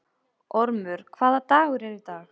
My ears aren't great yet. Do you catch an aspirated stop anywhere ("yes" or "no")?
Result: yes